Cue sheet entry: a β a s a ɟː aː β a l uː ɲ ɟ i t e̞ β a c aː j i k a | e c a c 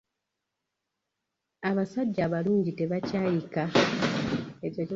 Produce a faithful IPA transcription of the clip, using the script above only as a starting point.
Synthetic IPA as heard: a β a s a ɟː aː β a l uː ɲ ɟ i t e̞ β a c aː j i k a | e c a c

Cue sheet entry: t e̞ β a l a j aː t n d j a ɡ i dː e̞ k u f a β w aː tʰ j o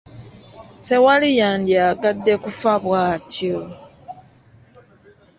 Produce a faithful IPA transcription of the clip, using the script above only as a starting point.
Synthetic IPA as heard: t e̞ w a l i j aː n d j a ɡ a dː e̞ k u f a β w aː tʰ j o

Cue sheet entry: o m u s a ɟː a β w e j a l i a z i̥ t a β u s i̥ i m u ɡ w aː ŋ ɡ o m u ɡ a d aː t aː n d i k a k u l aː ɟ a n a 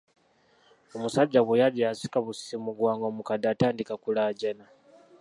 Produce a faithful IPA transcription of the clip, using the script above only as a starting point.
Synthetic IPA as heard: o m u s a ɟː a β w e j a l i a s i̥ k a β u s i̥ i m u ɡ w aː ŋ ɡ o m u k a d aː t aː n d i k a k u l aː ɟ a n a

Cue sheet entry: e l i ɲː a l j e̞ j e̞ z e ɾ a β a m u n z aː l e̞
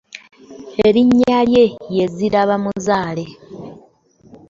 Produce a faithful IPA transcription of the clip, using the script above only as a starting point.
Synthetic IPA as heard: e ɾ i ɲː a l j e̞ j e̞ z i ɾ a β a m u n z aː l e̞

